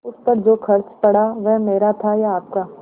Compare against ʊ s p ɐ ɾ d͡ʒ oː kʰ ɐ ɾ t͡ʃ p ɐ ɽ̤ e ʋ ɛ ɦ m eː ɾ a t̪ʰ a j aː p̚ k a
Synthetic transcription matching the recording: ʊ s p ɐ ɾ d͡ʒ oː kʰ ɐ ɾ t͡ʃ p ɐ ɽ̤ a ʋ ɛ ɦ m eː ɾ a t̪ʰ a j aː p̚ k a